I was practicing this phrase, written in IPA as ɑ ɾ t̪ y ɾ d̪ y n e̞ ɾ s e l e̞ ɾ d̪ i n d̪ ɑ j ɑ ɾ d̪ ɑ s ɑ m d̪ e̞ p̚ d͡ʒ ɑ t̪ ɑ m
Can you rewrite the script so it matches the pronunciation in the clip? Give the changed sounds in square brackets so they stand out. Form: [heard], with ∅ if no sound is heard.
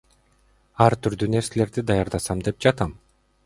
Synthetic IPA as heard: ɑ ɾ t̪ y ɾ d̪ y n e̞ ɾ s e l e̞ ɾ d̪ i [∅] d̪ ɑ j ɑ ɾ d̪ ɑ s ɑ m d̪ e̞ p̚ d͡ʒ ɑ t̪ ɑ m